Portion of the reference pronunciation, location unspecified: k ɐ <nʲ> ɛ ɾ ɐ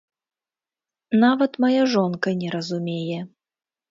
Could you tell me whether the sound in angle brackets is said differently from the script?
no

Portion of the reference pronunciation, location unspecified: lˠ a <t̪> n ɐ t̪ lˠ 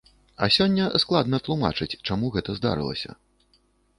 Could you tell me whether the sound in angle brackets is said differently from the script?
yes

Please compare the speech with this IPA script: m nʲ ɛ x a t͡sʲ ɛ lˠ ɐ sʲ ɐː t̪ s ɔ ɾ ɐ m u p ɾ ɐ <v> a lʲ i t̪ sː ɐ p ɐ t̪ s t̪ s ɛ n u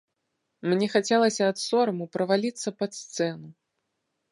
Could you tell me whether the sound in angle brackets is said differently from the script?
no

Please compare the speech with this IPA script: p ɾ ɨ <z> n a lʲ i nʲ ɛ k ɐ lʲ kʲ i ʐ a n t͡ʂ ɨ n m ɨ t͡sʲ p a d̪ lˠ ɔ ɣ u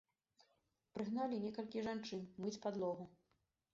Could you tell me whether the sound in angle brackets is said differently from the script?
yes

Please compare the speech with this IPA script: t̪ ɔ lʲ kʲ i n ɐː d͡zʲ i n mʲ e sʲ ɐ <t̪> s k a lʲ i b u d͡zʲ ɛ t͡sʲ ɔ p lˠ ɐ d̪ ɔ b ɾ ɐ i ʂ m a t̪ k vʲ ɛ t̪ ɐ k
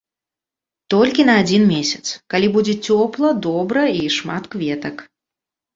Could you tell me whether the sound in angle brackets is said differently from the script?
no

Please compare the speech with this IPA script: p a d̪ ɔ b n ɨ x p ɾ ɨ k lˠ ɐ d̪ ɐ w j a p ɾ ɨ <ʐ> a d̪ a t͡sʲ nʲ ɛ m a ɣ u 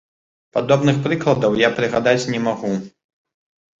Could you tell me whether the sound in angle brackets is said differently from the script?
yes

